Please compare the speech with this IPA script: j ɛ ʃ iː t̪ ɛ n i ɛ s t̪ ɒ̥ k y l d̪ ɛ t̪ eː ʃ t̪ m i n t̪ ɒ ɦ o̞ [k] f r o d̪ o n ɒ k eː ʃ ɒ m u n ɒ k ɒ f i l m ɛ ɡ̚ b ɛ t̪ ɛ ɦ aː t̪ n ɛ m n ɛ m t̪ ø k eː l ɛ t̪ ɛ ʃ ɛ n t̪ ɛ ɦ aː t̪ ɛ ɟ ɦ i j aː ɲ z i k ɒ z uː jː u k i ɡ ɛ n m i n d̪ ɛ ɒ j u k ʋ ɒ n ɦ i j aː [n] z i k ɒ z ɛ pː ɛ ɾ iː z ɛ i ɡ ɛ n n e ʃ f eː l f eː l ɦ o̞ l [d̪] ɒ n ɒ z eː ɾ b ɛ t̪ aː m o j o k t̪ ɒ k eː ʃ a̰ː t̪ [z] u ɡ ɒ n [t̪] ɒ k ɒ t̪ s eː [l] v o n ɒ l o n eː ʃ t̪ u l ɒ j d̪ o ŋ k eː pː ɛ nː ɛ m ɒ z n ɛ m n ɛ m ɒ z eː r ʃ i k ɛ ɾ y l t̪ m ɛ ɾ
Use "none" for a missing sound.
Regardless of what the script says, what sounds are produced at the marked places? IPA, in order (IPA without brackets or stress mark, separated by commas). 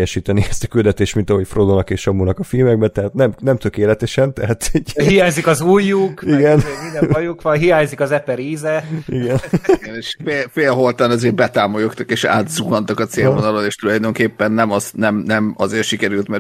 c, ɲ, t̪, z, t̪, l